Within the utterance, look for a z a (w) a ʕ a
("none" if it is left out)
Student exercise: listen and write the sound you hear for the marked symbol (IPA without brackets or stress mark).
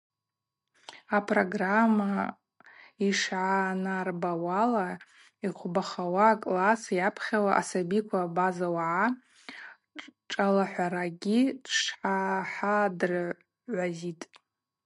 w